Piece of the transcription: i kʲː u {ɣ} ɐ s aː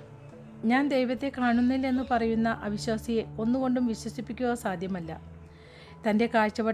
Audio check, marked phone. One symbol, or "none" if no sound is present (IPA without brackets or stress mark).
ɣ